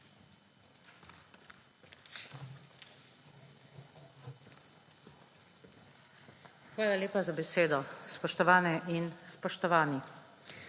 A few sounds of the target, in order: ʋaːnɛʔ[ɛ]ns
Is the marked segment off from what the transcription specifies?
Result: yes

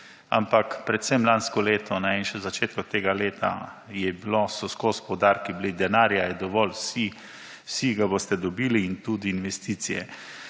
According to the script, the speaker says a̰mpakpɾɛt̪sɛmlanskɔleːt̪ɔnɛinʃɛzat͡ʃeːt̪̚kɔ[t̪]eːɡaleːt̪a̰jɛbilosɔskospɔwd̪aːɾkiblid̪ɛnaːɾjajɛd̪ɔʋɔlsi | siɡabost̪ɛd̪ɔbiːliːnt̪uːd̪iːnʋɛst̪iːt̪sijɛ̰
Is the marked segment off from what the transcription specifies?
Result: no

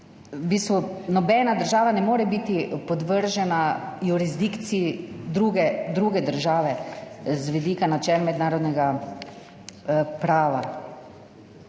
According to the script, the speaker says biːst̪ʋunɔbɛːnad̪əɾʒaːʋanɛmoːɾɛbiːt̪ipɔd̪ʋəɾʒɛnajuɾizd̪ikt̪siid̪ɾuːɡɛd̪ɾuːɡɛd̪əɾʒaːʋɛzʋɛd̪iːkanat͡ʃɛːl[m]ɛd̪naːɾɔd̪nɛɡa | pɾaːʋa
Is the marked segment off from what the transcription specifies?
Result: no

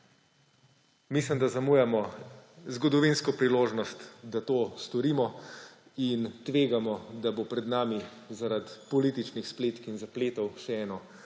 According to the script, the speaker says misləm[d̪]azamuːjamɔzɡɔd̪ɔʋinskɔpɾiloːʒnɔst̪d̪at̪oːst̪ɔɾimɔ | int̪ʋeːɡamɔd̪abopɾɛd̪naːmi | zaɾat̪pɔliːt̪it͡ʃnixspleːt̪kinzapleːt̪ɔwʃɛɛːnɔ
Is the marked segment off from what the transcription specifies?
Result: no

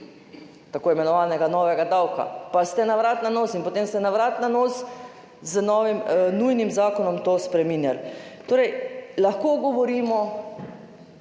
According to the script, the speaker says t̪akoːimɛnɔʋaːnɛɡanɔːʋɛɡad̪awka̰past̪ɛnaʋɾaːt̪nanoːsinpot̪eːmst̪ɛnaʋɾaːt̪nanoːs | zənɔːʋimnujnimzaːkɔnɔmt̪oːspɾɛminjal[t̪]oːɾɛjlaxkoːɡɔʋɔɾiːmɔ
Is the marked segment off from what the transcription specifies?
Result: no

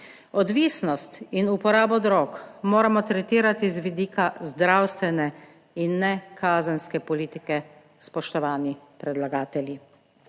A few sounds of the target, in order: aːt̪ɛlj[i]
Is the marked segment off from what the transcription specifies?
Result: no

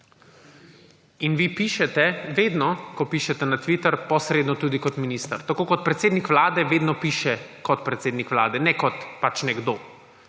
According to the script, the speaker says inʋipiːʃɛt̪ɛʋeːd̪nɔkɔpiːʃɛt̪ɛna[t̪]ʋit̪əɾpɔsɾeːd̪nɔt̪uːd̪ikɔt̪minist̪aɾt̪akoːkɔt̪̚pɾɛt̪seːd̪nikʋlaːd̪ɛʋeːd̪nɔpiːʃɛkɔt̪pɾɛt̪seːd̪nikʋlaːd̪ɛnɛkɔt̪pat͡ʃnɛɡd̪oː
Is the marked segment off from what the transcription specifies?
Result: no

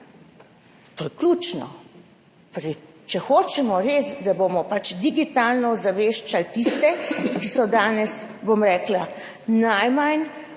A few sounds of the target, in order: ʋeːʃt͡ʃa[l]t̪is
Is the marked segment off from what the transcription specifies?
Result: no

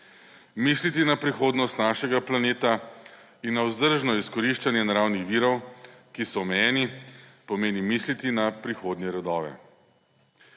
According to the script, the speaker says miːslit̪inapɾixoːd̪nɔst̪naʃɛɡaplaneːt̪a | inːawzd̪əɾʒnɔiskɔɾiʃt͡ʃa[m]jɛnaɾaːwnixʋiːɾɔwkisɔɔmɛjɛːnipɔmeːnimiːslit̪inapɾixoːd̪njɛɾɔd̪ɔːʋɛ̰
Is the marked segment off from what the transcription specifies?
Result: yes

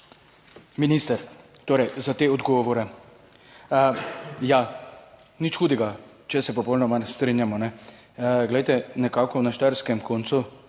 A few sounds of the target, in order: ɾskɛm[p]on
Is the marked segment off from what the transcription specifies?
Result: yes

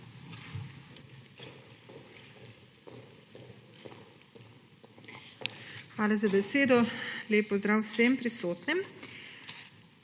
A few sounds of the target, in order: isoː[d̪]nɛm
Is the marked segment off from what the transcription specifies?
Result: yes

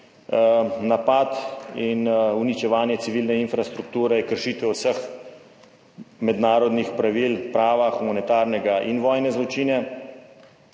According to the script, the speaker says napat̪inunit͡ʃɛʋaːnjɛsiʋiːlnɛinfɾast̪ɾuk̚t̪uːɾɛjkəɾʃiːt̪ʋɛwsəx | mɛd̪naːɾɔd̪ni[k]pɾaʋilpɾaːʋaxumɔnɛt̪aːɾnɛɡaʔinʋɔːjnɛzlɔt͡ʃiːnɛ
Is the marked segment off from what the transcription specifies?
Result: yes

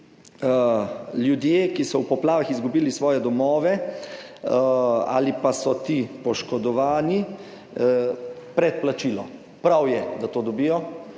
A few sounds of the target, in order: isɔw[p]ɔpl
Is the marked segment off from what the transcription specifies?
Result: no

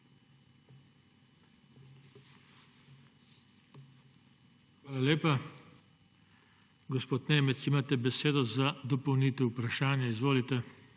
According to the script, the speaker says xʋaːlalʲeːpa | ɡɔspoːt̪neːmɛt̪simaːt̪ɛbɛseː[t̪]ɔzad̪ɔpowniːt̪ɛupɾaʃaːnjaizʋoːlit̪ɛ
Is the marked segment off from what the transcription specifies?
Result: yes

